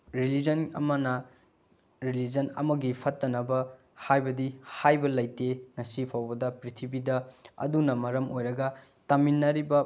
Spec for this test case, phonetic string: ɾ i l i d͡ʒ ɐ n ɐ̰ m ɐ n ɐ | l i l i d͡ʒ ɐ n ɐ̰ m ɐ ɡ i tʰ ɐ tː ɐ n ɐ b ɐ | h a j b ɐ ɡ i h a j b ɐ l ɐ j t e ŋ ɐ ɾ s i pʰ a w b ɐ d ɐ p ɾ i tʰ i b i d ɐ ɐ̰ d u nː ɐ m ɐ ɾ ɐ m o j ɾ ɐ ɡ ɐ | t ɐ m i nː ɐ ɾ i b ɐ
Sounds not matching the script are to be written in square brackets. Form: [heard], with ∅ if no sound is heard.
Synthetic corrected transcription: ɾ i l i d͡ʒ ɐ n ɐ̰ m ɐ n ɐ | [ɾ] i l i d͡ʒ ɐ n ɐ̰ m ɐ ɡ i [pʰ] ɐ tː ɐ n ɐ b ɐ | h a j b ɐ [d] i h a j b ɐ l ɐ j t e ŋ ɐ [∅] s i pʰ a w b ɐ d ɐ p ɾ i tʰ i b i d ɐ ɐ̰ d u [n] ɐ m ɐ ɾ ɐ m o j ɾ ɐ ɡ ɐ | t ɐ m i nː ɐ ɾ i b ɐ